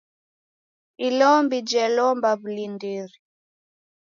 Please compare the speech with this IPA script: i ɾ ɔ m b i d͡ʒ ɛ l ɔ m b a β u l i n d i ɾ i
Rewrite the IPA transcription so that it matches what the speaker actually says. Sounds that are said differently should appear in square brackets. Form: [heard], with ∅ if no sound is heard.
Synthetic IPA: i [l] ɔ m b i d͡ʒ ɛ l ɔ m b a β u l i n d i ɾ i